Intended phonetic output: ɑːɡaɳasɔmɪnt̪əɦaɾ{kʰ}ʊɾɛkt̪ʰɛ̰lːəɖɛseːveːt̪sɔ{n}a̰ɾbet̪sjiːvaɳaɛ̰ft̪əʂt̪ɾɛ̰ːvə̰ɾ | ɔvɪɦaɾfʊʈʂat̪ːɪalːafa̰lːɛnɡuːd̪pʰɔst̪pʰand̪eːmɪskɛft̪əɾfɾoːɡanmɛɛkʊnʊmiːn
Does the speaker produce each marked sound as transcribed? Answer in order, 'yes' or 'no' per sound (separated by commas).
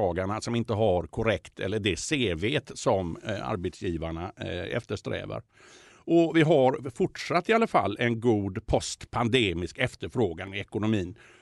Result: yes, no